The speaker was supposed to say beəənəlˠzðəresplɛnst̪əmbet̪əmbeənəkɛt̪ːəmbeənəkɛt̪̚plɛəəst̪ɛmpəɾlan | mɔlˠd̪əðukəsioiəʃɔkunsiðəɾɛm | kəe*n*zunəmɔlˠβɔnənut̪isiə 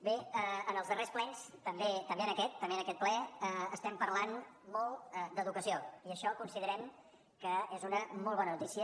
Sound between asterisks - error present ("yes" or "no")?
yes